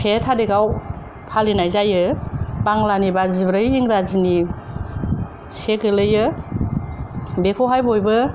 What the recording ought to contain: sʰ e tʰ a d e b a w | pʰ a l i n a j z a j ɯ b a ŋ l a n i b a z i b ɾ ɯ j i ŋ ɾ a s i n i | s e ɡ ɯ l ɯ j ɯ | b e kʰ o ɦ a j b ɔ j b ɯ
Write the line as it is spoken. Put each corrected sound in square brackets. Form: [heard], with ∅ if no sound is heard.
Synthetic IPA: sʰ e tʰ a d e [ɡ] a w | pʰ a l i n a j z a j ɯ b a ŋ l a n i b a z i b ɾ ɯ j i ŋ ɾ a [z] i n i | s e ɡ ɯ l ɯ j ɯ | b e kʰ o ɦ a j b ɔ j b ɯ